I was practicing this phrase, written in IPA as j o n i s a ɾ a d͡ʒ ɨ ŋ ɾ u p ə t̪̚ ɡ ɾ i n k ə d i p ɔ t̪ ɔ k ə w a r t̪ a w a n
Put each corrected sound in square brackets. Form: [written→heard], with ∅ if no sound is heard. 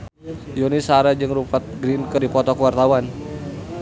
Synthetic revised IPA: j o n i s a ɾ a d͡ʒ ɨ ŋ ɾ u p [ə→a] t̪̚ ɡ ɾ i n k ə d i p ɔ t̪ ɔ k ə w a r t̪ a w a n